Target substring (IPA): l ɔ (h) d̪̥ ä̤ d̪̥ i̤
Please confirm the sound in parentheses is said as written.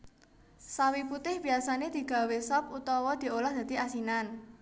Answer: yes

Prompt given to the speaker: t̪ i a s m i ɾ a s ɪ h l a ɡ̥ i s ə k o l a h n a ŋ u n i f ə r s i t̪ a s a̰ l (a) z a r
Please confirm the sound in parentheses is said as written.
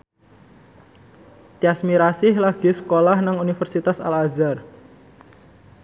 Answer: yes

